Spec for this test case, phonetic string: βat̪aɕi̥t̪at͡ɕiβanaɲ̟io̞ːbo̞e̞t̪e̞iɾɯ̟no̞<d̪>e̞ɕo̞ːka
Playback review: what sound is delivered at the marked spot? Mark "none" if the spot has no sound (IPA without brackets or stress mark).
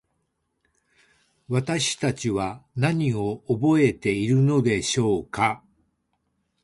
d̪